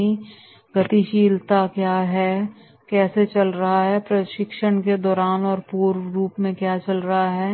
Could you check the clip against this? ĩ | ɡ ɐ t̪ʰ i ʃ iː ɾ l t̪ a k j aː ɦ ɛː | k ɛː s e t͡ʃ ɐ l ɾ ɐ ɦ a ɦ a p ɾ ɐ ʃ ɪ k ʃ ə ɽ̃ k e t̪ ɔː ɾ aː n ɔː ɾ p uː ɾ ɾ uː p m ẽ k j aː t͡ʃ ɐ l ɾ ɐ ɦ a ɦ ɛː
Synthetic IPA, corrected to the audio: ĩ | ɡ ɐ t̪ i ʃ iː l t̪ a k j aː ɦ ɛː | k ɛː s e t͡ʃ ɐ l ɾ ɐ ɦ a ɦ ɛ p ɾ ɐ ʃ ɪ k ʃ ə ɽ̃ k e d̪ ɔː ɾ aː n ɔː ɾ p uː ɾ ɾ uː p m ẽ k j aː t͡ʃ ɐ l ɾ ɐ ɦ a ɦ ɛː